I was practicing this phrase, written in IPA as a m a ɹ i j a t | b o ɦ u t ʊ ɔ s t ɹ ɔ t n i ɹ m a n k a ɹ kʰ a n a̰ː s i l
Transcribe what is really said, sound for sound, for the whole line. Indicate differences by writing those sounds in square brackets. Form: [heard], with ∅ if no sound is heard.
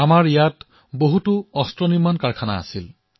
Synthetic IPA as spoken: a m a ɹ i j a t | b o ɦ u t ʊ ɔ s t ɹ ɔ [∅] n i ɹ m a n k a ɹ kʰ a n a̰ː s i l